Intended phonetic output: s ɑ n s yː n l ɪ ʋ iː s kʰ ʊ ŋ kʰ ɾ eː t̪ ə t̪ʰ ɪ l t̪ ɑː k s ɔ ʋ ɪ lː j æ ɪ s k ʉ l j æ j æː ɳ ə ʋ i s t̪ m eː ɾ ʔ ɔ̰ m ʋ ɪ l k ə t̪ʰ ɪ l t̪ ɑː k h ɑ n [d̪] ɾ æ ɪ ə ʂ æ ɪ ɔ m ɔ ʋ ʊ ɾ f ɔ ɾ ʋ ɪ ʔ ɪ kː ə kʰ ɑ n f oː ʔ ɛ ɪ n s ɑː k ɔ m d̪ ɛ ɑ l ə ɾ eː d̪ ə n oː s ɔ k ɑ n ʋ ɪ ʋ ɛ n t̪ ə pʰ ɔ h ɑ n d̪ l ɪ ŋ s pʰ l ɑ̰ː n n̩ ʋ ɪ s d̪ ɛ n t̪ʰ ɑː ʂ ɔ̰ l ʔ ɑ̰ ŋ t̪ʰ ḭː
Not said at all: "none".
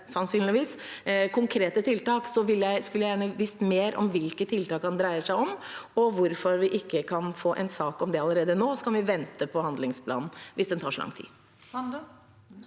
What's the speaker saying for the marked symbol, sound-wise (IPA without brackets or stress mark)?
d̪